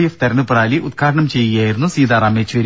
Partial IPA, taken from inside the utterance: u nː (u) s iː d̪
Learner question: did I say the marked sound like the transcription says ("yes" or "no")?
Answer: yes